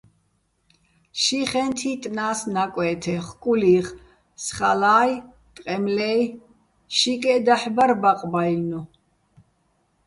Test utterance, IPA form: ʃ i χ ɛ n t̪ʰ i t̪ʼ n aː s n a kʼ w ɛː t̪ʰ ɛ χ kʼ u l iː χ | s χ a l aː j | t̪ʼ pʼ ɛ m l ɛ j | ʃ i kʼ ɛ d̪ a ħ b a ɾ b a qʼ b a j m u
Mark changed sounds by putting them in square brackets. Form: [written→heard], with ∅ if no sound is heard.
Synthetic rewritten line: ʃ i χ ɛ n t̪ʰ i t̪ʼ n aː s n a kʼ w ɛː t̪ʰ ɛ χ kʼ u l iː χ | s χ a l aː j | t̪ʼ [pʼ→qʼ] ɛ m l ɛ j | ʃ i kʼ ɛ d̪ a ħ b a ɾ b a qʼ b a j [m→n] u